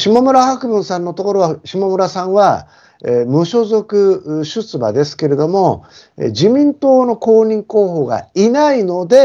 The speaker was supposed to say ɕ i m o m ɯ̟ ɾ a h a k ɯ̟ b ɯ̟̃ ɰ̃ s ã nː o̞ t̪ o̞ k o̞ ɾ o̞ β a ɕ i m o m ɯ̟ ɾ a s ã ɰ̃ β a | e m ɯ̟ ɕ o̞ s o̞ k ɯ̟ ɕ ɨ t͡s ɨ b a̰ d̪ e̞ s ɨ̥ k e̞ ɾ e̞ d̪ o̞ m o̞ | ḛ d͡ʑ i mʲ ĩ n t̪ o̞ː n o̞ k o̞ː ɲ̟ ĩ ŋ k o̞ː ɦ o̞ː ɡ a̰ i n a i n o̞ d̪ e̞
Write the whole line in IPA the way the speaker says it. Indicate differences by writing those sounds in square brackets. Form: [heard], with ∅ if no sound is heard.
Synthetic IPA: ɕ i m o m ɯ̟ ɾ a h a k ɯ̟ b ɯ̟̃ ɰ̃ s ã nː o̞ t̪ o̞ k o̞ ɾ o̞ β a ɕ i m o m ɯ̟ ɾ a s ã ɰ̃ β a | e m ɯ̟ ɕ o̞ [z] o̞ k ɯ̟ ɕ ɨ t͡s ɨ b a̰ d̪ e̞ s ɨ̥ k e̞ ɾ e̞ d̪ o̞ m o̞ | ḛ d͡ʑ i mʲ ĩ n t̪ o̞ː n o̞ k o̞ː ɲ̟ ĩ ŋ k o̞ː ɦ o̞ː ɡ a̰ i n a i n o̞ d̪ e̞